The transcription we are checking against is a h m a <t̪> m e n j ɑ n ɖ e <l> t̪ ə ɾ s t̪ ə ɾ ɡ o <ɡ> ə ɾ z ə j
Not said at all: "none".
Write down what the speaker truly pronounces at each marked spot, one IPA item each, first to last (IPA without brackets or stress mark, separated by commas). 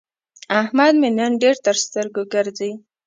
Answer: d̪, ɾ, ɡ